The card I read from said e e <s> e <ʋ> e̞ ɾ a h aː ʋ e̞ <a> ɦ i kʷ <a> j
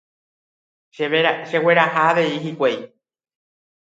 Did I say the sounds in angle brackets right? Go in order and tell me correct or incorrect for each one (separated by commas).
incorrect, incorrect, incorrect, incorrect